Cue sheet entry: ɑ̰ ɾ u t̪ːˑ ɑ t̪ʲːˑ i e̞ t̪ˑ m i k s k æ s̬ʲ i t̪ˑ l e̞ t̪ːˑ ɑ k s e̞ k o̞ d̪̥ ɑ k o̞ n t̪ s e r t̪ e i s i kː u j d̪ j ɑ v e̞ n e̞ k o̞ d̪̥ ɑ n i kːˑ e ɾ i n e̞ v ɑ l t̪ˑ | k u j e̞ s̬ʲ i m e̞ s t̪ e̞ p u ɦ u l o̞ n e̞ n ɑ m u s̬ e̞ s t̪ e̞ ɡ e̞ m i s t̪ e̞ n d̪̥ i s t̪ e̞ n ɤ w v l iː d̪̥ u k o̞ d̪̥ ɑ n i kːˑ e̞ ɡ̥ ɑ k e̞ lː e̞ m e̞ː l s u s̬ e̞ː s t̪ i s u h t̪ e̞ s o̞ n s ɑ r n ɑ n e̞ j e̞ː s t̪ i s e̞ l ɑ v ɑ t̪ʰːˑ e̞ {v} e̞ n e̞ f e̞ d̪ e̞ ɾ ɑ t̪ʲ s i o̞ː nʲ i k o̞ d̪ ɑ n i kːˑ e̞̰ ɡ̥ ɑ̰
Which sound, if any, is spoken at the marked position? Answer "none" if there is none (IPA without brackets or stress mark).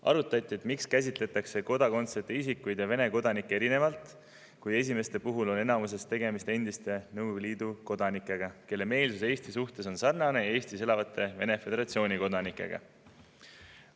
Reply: v